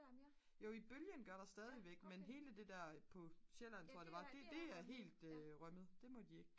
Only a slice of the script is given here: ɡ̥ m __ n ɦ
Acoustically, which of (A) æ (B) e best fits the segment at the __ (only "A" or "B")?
B